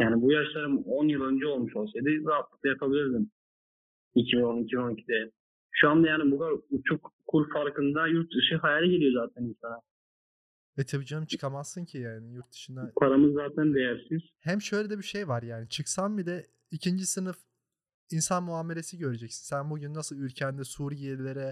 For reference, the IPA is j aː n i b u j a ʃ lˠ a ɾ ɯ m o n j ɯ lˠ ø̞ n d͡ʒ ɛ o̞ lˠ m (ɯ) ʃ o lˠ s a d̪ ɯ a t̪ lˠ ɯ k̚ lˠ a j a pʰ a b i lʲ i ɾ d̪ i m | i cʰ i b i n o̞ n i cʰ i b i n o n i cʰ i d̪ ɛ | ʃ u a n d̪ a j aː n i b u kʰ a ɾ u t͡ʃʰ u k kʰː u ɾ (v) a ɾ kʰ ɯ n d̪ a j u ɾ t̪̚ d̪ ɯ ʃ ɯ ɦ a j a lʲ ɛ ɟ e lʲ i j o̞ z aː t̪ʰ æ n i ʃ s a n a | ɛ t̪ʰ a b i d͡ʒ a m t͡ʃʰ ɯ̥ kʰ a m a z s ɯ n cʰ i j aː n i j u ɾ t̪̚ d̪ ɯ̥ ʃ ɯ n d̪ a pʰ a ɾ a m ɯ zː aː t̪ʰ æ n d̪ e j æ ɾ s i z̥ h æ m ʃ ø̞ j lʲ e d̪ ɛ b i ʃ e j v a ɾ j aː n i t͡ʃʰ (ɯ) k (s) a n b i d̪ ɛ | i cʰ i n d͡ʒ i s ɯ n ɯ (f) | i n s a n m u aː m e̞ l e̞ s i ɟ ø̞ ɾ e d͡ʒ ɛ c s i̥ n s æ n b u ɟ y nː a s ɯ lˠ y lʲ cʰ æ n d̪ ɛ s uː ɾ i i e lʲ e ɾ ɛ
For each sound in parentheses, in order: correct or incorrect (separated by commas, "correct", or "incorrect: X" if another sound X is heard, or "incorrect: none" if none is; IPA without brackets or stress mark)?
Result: incorrect: u, incorrect: f, correct, correct, correct